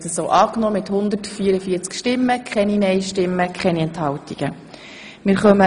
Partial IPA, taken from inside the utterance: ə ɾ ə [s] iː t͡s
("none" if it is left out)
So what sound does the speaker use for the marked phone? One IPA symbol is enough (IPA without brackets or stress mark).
f